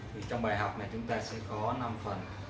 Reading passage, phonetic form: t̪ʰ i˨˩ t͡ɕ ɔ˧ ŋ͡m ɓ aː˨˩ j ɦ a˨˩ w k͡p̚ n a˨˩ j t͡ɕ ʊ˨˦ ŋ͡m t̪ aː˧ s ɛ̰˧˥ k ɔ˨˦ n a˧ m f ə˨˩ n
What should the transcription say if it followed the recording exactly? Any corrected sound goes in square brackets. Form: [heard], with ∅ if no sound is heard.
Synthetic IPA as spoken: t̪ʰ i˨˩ t͡ɕ ɔ˧ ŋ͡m ɓ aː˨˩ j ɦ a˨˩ w k͡p̚ n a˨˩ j t͡ɕ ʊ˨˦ ŋ͡m t̪ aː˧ s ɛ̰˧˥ k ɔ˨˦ n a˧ m f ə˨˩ n